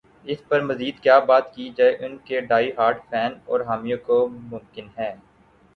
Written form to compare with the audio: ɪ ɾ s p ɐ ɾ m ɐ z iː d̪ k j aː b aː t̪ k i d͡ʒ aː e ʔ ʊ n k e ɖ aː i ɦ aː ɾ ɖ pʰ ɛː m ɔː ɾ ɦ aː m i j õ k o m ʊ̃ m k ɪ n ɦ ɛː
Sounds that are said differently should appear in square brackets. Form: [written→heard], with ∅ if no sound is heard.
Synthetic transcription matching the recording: ɪ [ɾ→∅] s p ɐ ɾ m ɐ z iː d̪ k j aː b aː t̪ k i d͡ʒ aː e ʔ ʊ n k e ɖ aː i ɦ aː ɾ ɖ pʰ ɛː [m→n] ɔː ɾ ɦ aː m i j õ k o m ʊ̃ m k ɪ n ɦ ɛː